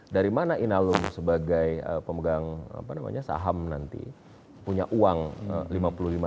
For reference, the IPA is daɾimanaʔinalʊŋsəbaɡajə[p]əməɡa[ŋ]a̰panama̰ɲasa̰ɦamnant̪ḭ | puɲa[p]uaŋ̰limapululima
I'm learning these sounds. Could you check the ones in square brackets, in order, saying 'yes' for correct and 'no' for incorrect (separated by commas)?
yes, yes, no